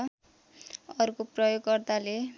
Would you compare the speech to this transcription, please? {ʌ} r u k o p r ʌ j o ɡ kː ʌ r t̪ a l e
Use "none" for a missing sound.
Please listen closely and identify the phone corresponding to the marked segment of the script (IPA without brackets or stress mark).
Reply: ʌ